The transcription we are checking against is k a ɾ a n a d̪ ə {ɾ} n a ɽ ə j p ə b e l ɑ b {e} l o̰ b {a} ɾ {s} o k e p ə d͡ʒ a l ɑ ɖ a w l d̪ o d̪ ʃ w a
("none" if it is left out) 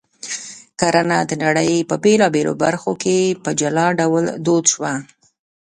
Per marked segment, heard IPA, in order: none, e, a, x

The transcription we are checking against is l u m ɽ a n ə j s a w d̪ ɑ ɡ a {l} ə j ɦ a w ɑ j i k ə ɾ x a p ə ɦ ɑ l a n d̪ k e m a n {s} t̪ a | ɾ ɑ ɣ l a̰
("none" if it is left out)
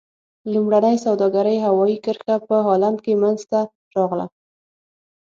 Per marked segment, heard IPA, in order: ɾ, z

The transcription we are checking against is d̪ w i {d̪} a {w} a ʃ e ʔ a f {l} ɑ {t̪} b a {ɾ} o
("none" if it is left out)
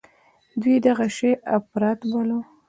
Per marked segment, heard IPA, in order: d̪, ɣ, ɾ, t̪, l

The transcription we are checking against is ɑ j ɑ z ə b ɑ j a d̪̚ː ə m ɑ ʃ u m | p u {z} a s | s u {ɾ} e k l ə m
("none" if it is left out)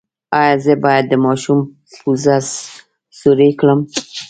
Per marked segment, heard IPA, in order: z, ɾ

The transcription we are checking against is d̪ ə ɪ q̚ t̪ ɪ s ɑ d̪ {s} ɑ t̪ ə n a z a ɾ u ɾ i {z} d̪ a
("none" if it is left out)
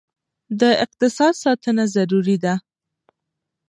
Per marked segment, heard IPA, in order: s, none

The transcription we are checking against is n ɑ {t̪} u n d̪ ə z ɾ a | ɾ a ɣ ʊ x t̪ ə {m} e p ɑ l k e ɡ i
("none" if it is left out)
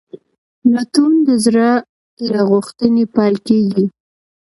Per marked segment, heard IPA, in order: t̪, n

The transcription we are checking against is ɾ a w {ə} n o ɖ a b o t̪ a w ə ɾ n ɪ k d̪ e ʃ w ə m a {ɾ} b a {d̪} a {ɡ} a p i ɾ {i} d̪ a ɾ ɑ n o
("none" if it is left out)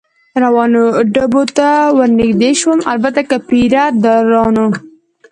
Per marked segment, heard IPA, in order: ɑ, l, t̪, k, a

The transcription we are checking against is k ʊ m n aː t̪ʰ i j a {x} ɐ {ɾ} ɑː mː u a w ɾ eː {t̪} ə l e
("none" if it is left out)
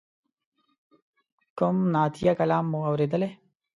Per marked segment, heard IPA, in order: k, l, d̪

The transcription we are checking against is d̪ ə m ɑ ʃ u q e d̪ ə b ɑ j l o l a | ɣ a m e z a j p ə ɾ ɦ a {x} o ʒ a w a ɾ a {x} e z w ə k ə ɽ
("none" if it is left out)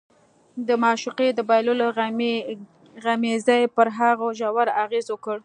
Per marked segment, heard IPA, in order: ɣ, ɣ

